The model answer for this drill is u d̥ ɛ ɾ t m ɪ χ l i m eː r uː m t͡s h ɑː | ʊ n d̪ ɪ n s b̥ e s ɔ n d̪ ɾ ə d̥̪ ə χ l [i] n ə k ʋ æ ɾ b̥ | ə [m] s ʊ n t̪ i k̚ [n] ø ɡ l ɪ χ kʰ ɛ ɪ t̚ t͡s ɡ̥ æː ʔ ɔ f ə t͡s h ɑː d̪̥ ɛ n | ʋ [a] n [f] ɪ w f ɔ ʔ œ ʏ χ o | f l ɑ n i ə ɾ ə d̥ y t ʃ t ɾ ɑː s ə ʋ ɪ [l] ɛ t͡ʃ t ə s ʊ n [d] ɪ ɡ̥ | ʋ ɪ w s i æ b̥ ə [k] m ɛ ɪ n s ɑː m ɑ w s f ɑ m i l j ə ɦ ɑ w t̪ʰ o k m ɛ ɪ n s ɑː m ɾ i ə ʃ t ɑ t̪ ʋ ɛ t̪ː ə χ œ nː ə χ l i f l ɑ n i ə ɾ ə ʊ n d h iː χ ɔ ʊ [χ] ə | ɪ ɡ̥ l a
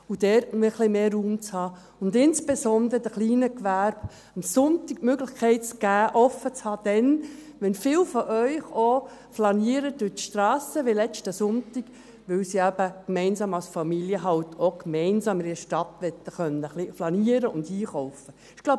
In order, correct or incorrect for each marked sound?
incorrect, correct, incorrect, incorrect, correct, correct, incorrect, correct, incorrect

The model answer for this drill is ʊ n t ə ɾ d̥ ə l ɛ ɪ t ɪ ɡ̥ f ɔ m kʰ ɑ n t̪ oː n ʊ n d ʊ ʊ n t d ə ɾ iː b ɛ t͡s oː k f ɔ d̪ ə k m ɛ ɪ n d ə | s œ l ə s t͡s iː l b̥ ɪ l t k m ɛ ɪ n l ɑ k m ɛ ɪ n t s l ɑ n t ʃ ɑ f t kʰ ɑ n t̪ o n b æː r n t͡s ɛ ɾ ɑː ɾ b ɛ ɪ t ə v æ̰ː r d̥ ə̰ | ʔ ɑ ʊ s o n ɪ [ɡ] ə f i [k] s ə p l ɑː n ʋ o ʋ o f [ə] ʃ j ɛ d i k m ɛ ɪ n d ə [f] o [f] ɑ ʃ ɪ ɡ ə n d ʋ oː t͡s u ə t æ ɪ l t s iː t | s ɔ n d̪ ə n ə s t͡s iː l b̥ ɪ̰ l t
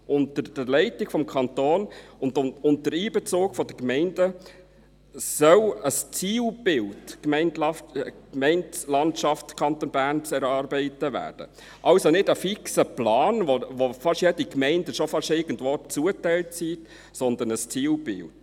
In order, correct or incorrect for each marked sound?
incorrect, correct, incorrect, incorrect, correct

